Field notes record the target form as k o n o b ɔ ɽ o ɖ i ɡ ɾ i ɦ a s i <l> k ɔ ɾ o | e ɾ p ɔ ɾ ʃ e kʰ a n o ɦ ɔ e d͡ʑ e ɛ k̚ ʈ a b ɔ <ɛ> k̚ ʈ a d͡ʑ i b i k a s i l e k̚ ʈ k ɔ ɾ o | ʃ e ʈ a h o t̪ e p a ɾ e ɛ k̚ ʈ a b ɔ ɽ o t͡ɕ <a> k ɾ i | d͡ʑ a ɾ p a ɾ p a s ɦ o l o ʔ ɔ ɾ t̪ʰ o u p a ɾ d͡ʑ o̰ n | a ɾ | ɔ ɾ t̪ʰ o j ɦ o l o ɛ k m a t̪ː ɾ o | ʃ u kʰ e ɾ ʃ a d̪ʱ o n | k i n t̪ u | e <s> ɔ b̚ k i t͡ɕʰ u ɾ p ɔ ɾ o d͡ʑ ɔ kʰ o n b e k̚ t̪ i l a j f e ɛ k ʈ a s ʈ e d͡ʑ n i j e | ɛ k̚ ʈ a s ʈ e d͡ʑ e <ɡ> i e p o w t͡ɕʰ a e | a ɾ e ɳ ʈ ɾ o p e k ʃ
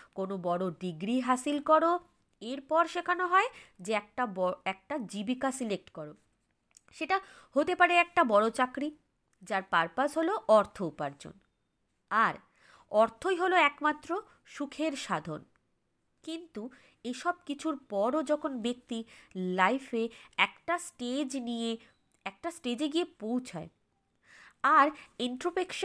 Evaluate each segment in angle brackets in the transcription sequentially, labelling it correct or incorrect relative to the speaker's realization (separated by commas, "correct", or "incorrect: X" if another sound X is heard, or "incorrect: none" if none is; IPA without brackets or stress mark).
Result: correct, correct, correct, incorrect: ʃ, correct